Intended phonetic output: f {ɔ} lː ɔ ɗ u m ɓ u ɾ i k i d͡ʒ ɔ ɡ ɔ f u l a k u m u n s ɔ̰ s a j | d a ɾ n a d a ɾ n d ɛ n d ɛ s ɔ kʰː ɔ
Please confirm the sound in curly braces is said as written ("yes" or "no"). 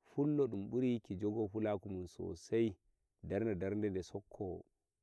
no